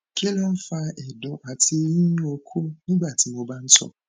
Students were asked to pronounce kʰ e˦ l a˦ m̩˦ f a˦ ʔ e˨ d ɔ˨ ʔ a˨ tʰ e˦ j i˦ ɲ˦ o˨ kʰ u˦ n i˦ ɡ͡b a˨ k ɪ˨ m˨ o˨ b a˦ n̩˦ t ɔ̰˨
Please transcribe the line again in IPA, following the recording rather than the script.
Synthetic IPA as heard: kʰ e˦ l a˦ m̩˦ f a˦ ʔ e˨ d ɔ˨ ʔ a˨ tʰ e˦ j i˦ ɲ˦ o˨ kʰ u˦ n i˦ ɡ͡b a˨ t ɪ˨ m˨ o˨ b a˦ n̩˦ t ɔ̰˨